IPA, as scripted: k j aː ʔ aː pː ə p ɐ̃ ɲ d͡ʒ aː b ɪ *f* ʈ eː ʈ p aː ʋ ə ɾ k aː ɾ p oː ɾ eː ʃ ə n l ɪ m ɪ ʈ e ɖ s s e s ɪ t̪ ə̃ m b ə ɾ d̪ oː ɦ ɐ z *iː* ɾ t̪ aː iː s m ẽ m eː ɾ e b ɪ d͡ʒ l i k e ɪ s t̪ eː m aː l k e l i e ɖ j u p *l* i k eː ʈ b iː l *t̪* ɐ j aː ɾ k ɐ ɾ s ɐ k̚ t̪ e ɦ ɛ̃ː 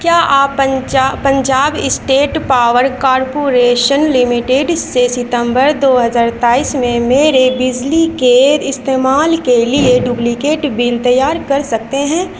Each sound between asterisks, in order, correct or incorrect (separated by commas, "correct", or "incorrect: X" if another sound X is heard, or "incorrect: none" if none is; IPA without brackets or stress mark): incorrect: s, incorrect: aː, correct, correct